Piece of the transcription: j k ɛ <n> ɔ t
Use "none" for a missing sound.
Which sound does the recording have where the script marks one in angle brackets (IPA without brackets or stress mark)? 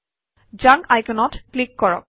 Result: n